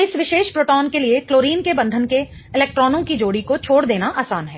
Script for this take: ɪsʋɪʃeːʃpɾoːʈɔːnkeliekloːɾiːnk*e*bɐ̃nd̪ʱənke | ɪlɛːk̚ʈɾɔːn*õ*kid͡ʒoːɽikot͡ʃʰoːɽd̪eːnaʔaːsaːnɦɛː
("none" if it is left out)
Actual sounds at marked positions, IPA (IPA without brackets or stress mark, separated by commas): e, õ